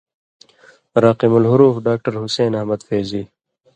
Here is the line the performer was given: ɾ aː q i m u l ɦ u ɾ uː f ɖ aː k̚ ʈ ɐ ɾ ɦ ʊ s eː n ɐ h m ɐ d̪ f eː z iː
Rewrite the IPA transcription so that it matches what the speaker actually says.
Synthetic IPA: ɾ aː q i m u l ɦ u ɾ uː f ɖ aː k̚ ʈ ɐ ɾ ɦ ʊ s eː n ɐ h m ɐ d̪ f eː z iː